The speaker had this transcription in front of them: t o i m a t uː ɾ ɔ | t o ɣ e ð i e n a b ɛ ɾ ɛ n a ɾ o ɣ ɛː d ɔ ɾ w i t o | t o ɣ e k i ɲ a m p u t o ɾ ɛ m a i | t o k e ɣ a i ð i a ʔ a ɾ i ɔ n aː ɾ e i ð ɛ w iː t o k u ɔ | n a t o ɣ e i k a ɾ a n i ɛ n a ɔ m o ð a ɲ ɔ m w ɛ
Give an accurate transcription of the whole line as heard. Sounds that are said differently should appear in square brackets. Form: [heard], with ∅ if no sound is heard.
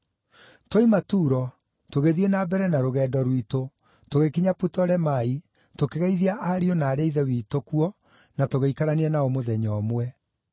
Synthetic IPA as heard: t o i m a t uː ɾ ɔ | t o ɣ e ð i e n a b ɛ ɾ ɛ n a ɾ o ɣ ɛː d ɔ ɾ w i t o | t o ɣ e k i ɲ a [∅] p u t [ɔ] ɾ ɛ m a i | t o k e ɣ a i ð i a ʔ a ɾ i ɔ n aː ɾ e i ð ɛ w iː t o k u ɔ | n a t o ɣ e i k a ɾ a n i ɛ n a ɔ m o ð [ɛ] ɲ ɔ m w ɛ